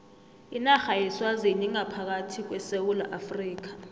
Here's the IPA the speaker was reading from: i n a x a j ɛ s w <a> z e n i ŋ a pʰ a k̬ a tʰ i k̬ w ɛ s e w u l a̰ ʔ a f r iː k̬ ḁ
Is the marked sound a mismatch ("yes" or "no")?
no